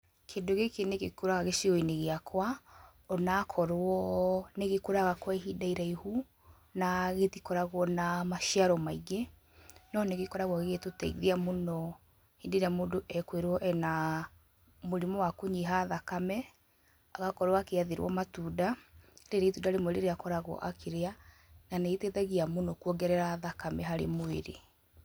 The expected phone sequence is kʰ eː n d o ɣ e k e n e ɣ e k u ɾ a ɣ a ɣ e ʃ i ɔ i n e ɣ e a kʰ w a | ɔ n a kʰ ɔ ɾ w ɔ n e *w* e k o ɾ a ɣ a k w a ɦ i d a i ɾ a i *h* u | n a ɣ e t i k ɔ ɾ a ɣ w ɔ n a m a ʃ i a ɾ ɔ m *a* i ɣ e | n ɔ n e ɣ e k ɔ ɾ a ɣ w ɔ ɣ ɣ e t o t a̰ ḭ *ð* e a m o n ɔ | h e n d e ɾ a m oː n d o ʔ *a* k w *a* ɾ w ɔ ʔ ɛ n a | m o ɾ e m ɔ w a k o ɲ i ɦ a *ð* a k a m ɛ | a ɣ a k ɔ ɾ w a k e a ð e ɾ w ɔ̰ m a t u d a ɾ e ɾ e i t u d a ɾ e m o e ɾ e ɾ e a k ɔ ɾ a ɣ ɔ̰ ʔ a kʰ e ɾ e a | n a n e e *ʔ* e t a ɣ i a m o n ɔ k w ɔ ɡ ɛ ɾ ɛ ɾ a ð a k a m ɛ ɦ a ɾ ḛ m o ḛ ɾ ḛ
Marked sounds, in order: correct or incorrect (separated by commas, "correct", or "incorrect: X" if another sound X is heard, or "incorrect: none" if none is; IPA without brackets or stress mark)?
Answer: incorrect: ɣ, correct, correct, correct, incorrect: ɛ, incorrect: e, correct, incorrect: t